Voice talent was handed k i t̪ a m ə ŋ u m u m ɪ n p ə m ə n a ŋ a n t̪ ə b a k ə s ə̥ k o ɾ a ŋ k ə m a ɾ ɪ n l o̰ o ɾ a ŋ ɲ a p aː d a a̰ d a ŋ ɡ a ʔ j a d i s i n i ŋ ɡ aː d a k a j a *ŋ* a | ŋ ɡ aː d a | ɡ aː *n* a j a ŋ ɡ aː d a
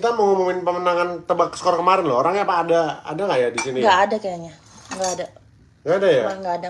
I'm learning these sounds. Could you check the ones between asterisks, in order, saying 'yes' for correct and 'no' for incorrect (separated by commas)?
no, no